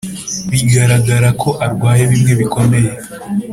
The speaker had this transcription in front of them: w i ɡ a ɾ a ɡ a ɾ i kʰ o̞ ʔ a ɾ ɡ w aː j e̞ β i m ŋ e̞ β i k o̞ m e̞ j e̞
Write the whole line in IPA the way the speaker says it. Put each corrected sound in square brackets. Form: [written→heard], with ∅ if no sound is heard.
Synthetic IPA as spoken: [w→β] i ɡ a ɾ a ɡ a ɾ [i→a] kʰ o̞ ʔ a ɾ ɡ w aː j e̞ β i m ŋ e̞ β i k o̞ m e̞ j e̞